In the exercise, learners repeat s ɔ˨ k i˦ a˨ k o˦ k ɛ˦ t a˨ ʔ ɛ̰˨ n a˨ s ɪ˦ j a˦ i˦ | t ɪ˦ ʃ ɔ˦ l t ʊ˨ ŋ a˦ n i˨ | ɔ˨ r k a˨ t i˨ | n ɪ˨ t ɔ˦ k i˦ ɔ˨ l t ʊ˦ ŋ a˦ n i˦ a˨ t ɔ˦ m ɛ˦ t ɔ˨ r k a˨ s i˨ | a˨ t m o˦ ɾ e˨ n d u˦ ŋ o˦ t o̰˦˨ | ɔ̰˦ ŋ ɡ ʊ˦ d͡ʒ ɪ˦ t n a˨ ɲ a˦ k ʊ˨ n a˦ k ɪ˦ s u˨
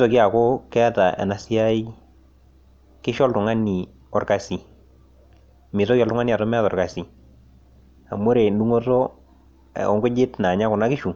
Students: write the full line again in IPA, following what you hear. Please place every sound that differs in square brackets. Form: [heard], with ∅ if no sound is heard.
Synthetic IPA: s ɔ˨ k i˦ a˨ k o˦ k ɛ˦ t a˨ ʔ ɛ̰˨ n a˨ s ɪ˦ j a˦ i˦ | [k] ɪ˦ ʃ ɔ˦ l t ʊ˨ ŋ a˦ n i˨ | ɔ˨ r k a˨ [s] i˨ | [m] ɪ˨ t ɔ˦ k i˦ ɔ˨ l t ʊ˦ ŋ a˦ n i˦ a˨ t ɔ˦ m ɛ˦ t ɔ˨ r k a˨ s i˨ | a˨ [∅] m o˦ ɾ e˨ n d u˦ ŋ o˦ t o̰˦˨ | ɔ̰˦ ŋ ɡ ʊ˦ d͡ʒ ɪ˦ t n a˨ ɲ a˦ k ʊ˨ n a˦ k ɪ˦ [ʃ] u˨